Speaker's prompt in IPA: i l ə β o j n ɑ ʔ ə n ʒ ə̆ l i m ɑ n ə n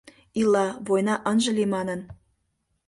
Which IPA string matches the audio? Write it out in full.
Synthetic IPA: i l ɑ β o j n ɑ ʔ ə n ʒ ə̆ l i m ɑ n ə n

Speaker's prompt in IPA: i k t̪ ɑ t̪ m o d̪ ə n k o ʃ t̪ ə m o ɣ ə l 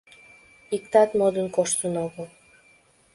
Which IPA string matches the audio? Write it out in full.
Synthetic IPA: i k t̪ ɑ t̪ m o d̪ ə n k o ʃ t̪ ə n o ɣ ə l

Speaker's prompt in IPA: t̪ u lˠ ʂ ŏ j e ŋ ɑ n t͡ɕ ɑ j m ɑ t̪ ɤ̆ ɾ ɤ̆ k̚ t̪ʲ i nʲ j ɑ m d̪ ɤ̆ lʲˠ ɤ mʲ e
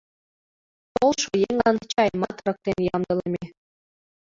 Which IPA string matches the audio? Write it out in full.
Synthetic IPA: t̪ o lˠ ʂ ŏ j e ŋ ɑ n t͡ɕ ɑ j m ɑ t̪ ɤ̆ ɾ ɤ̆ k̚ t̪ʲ e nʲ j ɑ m d̪ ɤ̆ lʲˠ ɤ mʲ e

